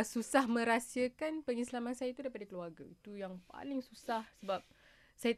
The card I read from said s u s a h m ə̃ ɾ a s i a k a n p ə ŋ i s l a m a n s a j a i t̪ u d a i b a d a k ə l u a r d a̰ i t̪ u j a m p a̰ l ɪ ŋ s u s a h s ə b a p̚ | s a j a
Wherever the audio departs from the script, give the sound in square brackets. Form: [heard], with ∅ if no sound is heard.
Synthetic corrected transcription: s u s a h m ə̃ ɾ a s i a k a n p ə ŋ i s l a m a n s a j a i t̪ u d a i [p] a d a k ə l u a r [ɡ] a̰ i t̪ u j a [ŋ] p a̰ l ɪ ŋ s u s a h s ə b a p̚ | s a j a